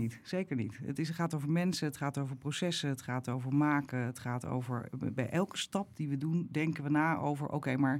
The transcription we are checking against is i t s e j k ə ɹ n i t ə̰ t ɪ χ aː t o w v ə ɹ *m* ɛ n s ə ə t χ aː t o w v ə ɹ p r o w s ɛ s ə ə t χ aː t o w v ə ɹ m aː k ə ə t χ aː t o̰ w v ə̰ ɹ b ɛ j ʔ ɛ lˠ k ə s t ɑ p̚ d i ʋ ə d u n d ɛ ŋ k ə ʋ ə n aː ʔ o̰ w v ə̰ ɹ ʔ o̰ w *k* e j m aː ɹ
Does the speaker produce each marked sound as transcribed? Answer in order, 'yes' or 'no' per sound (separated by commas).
yes, yes